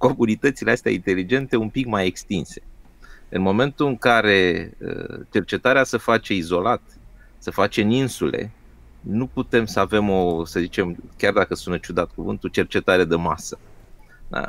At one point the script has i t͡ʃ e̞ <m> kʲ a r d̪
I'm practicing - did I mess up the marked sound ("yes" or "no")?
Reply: no